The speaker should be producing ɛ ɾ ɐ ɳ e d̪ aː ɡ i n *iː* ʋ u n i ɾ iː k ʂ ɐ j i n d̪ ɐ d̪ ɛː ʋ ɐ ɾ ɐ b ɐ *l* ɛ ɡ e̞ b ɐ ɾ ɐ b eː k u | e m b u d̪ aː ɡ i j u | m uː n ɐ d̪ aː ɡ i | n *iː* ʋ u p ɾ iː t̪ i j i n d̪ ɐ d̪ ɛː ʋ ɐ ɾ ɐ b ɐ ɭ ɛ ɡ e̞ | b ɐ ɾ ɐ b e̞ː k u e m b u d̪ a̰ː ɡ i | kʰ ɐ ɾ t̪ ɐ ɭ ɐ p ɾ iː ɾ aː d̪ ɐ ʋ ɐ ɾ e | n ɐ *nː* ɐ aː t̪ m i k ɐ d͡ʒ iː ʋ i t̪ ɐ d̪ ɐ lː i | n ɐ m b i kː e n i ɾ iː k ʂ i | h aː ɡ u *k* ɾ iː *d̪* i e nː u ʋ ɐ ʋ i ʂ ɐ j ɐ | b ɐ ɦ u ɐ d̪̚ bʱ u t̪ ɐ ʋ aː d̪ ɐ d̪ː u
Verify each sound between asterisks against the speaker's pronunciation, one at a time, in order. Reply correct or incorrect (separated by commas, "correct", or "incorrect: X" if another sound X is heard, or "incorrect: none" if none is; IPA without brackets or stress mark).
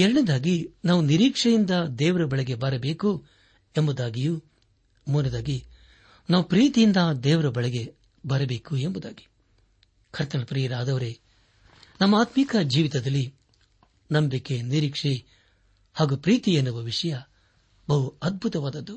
incorrect: aː, incorrect: ɭ, incorrect: aː, incorrect: mː, incorrect: p, incorrect: t̪